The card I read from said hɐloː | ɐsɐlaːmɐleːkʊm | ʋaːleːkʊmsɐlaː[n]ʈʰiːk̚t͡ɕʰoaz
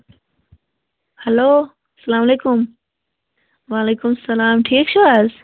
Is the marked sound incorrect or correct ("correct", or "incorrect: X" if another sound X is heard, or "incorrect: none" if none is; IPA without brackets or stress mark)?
incorrect: m